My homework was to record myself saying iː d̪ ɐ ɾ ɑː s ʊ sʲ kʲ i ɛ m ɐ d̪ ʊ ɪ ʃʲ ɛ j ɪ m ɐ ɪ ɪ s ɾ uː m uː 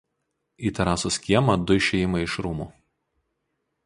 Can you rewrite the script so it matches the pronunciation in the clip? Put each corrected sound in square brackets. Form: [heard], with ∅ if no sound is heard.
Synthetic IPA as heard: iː [t̪] ɐ ɾ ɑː s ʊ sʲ kʲ i ɛ m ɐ d̪ ʊ ɪ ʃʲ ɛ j ɪ m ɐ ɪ ɪ [ʃ] ɾ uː m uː